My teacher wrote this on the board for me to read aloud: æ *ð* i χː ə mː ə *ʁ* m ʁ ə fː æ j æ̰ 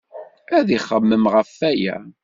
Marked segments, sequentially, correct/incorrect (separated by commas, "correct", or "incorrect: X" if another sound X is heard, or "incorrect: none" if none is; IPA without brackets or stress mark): correct, incorrect: none